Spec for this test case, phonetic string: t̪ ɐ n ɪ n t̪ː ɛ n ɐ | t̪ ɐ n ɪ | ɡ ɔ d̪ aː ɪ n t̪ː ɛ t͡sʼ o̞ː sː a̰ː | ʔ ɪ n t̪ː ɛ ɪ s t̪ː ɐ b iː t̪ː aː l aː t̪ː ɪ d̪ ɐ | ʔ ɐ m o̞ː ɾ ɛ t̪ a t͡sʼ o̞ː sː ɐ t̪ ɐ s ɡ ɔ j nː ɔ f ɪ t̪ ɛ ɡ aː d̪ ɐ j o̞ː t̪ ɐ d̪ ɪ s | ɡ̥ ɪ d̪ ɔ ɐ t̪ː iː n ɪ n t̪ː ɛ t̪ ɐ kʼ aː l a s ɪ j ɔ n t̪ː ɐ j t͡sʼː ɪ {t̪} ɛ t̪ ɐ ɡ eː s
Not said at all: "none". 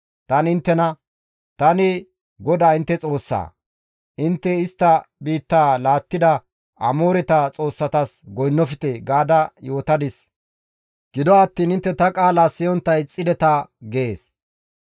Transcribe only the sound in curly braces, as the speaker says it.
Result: d̪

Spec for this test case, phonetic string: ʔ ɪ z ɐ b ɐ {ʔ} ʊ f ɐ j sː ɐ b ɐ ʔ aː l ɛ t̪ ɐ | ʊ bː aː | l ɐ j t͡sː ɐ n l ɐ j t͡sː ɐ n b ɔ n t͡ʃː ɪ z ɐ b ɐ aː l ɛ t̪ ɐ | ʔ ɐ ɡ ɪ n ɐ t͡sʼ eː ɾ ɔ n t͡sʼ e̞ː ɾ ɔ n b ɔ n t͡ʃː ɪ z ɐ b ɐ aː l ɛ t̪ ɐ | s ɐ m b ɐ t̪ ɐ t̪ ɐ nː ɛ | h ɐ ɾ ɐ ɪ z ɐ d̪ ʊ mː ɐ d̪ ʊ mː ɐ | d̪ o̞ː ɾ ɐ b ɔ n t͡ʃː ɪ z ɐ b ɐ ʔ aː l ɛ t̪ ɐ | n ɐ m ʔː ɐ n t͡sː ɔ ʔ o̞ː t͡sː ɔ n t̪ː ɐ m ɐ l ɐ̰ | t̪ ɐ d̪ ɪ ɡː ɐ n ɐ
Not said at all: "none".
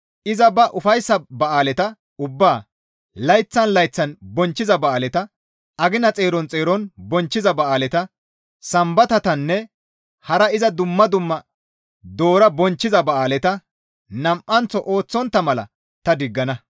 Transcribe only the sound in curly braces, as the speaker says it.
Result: ʔ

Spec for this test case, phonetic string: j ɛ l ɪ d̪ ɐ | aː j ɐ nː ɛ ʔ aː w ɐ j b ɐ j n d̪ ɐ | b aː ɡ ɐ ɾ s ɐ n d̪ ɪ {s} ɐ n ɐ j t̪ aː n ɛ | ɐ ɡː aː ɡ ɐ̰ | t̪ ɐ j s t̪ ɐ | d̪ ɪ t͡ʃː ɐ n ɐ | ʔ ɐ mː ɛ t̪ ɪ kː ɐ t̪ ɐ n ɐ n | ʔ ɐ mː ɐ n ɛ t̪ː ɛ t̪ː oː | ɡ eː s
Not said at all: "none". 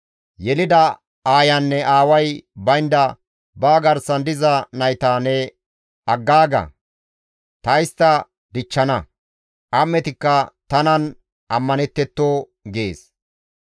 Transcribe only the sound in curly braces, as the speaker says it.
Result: z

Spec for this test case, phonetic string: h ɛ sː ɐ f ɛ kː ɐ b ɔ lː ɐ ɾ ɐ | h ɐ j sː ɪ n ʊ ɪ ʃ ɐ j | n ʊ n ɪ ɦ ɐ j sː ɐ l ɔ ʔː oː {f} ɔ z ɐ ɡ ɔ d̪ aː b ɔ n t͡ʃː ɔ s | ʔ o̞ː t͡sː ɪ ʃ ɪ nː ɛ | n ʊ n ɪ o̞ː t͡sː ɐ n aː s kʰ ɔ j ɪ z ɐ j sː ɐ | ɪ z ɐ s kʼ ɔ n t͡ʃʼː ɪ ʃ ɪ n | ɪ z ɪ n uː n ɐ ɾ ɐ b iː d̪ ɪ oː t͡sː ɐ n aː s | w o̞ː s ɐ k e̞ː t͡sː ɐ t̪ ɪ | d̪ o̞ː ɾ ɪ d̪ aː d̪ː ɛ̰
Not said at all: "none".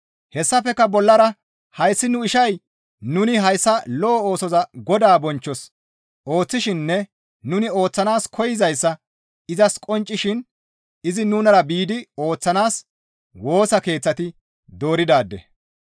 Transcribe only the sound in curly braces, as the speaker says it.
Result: s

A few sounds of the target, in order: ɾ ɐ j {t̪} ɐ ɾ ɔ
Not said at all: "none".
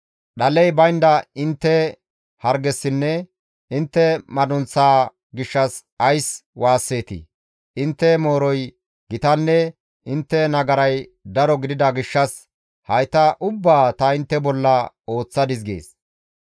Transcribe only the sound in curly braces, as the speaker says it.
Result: d̪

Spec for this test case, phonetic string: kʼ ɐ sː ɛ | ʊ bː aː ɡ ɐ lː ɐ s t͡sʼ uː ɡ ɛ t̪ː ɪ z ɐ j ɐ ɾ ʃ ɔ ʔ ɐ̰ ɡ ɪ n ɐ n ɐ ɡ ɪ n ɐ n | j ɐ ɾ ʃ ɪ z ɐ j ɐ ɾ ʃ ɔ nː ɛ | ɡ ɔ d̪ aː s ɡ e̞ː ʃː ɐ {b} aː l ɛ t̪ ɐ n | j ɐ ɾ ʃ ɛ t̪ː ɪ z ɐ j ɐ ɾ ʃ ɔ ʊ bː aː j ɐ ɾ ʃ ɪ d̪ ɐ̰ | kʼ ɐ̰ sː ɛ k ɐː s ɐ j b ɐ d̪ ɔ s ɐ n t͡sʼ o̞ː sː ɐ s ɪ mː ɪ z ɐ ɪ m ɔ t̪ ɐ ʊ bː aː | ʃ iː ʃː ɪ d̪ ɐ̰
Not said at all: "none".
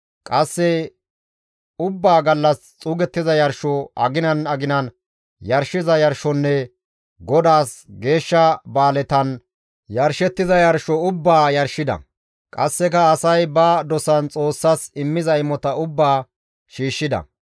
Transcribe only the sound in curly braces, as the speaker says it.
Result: b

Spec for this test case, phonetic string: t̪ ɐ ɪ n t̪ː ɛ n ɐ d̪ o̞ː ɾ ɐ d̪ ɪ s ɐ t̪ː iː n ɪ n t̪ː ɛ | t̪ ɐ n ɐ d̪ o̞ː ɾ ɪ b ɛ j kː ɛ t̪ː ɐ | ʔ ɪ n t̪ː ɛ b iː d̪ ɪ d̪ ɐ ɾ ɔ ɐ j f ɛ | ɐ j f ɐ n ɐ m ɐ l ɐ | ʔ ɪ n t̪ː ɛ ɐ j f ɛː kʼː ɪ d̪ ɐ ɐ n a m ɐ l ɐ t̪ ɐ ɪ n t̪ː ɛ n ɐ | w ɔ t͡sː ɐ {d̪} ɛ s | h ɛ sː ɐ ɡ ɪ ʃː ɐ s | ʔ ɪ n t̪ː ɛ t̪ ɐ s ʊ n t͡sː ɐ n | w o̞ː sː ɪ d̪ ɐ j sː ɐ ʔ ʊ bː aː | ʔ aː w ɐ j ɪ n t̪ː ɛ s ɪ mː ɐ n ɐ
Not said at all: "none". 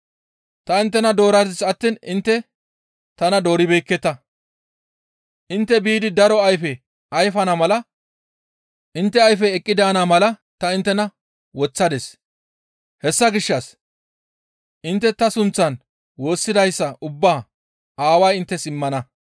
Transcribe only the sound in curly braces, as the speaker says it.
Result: d̪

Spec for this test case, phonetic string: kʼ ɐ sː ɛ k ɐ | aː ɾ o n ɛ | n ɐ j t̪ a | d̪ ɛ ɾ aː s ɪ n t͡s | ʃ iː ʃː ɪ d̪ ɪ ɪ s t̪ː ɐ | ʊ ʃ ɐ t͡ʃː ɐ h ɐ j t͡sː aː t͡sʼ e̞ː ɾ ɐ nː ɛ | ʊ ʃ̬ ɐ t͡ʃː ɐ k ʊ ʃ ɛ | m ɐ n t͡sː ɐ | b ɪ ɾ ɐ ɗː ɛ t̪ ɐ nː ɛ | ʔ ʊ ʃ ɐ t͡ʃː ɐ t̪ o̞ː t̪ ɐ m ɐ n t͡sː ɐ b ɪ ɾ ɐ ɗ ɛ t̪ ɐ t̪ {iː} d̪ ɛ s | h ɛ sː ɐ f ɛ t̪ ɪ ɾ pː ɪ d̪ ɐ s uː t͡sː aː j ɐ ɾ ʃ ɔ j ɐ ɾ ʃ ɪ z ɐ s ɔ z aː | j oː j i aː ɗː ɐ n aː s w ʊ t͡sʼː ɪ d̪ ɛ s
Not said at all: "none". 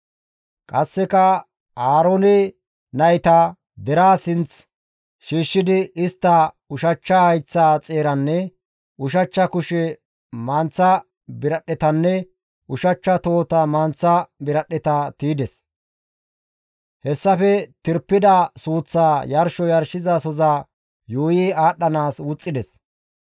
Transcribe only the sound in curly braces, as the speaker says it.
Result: iː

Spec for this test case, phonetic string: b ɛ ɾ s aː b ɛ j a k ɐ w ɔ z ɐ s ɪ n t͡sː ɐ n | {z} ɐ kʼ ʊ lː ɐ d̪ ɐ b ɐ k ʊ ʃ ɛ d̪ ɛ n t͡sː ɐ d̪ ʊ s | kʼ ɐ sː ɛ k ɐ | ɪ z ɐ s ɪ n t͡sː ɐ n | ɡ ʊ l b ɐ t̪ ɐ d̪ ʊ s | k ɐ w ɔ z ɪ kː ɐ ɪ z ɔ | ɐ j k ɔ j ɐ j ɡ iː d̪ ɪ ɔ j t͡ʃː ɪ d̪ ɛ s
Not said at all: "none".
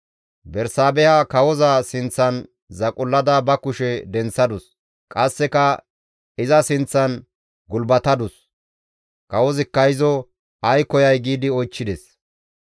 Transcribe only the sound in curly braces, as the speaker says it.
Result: z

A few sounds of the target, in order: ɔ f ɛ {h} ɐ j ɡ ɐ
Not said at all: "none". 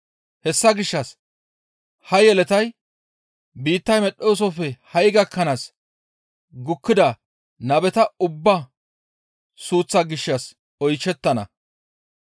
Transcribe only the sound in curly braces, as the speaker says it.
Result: h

